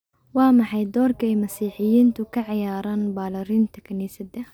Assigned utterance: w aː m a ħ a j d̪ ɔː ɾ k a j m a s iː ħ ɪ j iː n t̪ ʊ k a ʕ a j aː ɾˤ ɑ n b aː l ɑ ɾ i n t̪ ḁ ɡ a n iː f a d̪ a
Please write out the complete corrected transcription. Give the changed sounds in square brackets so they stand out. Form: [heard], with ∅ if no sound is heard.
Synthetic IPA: w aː m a ħ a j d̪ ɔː ɾ k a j m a s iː ħ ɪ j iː n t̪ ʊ k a ʕ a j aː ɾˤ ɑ n b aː l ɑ ɾ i n t̪ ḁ [k] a n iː [s] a d̪ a